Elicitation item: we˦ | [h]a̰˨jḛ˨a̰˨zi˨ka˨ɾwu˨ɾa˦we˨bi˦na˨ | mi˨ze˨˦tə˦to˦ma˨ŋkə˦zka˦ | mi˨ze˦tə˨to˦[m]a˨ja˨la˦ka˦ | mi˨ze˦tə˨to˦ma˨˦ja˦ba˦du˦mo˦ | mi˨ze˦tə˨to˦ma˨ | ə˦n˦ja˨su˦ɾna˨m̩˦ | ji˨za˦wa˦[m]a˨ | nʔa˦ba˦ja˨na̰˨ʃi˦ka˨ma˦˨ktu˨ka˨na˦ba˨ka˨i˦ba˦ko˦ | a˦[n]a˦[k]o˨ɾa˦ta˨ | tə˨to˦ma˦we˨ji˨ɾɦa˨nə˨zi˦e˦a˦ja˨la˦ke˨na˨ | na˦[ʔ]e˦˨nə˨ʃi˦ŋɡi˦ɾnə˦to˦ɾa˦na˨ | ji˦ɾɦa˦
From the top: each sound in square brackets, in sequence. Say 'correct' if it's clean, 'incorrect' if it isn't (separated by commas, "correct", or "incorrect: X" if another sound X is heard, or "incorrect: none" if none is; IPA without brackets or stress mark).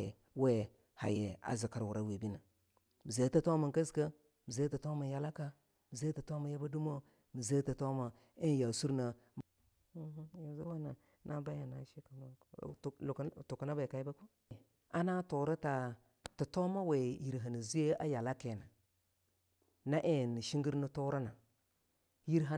correct, correct, incorrect: n, correct, incorrect: t, correct